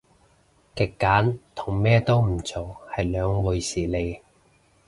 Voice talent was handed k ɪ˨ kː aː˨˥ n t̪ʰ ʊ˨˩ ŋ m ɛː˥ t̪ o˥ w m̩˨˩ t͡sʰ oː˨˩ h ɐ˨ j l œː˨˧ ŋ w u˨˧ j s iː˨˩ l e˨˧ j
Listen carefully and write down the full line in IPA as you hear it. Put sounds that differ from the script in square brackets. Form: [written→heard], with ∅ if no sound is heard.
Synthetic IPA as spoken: k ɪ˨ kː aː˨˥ n t̪ʰ ʊ˨˩ ŋ m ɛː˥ t̪ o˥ w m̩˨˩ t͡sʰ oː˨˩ h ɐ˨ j l œː˨˧ ŋ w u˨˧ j s iː˨˩ l e˨˧ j